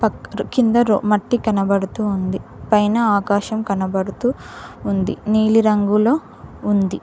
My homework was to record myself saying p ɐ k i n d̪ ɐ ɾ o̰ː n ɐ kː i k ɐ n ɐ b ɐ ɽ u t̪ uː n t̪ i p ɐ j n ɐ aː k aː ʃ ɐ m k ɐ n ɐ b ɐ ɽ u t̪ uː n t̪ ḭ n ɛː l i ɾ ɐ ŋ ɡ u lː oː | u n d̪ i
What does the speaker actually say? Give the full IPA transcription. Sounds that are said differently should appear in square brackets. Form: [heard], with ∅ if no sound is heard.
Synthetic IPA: p ɐ k i n d̪ ɐ ɾ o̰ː [m] ɐ [ʈː] i k ɐ n ɐ b ɐ ɽ u t̪ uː n [d̪] i p ɐ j n ɐ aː k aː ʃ ɐ m k ɐ n ɐ b ɐ ɽ u t̪ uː n [d̪] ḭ n [iː] l i ɾ ɐ ŋ ɡ u [l] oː | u n d̪ i